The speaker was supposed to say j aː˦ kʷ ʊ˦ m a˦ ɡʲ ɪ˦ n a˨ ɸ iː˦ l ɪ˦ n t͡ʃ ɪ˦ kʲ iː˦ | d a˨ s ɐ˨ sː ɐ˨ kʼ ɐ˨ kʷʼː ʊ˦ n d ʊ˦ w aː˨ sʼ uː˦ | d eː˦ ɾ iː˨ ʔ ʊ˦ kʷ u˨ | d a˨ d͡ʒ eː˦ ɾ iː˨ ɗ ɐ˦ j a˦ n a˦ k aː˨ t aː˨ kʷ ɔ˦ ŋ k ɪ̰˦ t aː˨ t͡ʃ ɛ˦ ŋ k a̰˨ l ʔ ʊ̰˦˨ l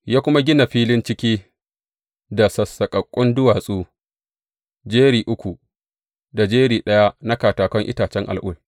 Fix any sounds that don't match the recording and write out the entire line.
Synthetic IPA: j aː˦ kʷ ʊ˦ m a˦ ɡʲ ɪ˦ n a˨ ɸ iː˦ l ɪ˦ n t͡ʃ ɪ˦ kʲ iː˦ | d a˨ s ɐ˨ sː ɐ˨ kʼ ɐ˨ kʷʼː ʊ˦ n d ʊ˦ w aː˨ sʼ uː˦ | d͡ʒ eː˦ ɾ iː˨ ʔ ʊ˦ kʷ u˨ | d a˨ d͡ʒ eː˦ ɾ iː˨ ɗ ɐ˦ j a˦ n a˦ k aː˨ t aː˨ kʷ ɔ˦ ŋ ʔ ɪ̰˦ t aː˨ t͡ʃ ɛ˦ ŋ ʔ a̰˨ l ʔ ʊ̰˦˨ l

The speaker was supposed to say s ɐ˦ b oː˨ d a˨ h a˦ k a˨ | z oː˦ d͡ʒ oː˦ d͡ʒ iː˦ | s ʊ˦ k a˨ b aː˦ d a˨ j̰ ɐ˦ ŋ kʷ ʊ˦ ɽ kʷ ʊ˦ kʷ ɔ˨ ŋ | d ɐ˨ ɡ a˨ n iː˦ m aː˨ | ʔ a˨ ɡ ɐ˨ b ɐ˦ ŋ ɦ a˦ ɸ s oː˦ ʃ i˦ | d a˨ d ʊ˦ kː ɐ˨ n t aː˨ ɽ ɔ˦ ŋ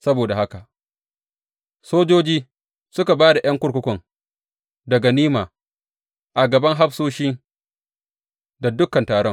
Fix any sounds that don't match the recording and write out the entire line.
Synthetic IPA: s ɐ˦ b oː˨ d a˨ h a˦ k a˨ | s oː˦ d͡ʒ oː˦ d͡ʒ iː˦ | s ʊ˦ k a˨ b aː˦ d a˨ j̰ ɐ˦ ŋ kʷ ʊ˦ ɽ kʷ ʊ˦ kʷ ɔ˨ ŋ | d ɐ˨ ɡ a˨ n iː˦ m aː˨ | ʔ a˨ ɡ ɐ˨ b ɐ˦ ŋ ɦ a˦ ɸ s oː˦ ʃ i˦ | d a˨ d ʊ˦ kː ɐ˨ n t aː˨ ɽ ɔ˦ ŋ

